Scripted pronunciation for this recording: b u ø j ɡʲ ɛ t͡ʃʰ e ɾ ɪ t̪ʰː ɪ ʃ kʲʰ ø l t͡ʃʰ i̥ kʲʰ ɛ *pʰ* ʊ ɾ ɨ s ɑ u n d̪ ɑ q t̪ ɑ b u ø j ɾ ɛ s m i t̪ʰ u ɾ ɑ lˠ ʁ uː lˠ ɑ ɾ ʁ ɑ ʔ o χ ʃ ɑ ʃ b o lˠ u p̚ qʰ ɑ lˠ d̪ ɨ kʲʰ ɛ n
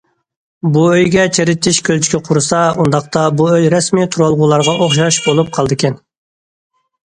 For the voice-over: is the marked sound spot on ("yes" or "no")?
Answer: no